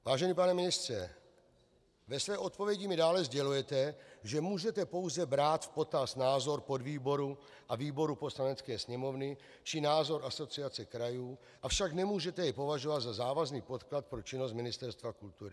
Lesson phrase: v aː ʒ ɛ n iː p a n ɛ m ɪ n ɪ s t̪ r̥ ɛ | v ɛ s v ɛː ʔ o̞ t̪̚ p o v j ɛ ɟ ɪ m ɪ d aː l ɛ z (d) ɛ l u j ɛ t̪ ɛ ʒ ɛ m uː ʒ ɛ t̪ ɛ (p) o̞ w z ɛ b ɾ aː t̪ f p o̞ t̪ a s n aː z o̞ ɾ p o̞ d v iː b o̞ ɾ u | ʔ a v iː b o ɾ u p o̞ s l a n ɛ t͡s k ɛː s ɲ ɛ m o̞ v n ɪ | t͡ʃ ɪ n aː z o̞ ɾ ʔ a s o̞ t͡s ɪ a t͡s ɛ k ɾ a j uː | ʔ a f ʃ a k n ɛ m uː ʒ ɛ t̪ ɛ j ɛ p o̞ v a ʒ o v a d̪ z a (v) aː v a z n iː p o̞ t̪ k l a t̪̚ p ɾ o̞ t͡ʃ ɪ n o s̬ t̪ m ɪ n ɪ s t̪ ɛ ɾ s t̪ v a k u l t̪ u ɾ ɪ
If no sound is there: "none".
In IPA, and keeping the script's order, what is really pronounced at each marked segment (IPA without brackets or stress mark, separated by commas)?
ɟ, p, z